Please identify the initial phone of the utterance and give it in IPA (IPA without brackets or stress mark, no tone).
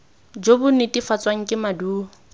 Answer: d͡ʒ